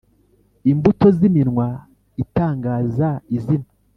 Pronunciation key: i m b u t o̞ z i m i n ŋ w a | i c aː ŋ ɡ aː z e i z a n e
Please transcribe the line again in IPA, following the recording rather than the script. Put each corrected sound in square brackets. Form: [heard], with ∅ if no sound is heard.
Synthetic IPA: i m b u t o̞ z i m i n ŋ w a | i [t] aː ŋ ɡ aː z [a] i z [i] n [a]